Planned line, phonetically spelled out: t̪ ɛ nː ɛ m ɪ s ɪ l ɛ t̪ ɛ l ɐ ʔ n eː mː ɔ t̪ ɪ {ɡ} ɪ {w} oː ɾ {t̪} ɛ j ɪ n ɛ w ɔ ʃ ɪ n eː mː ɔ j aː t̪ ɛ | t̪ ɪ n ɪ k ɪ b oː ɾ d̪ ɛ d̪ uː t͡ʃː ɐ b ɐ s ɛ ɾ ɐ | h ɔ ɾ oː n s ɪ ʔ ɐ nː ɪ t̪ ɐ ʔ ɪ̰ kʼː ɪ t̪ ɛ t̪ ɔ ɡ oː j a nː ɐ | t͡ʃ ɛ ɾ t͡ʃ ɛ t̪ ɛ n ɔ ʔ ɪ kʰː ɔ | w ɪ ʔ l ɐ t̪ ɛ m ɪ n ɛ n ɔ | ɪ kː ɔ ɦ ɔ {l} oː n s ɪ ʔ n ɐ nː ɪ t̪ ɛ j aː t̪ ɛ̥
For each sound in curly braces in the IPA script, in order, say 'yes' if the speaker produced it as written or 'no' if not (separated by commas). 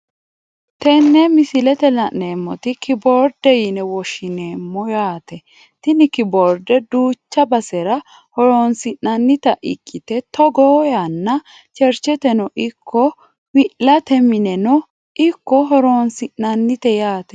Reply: no, no, no, no